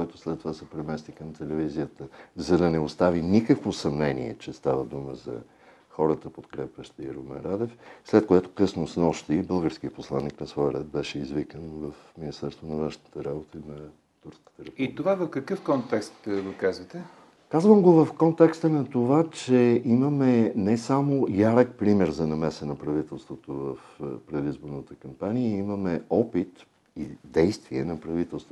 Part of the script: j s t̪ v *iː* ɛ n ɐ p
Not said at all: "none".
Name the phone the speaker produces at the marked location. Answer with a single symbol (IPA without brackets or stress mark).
i